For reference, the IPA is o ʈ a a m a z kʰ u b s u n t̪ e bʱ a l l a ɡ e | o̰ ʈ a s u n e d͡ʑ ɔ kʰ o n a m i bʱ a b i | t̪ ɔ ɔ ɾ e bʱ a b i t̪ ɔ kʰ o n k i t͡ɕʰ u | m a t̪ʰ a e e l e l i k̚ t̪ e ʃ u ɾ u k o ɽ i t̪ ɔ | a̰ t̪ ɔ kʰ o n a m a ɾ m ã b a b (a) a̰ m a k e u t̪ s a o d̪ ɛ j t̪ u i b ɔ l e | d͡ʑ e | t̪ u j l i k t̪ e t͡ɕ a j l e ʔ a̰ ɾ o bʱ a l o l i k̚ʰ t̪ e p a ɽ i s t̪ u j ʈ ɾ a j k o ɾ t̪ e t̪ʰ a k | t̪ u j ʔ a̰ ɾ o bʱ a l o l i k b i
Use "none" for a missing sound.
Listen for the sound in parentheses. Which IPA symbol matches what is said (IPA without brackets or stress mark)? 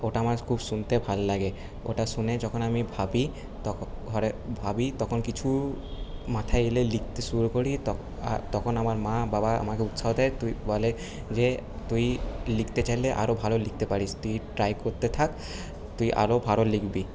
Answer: a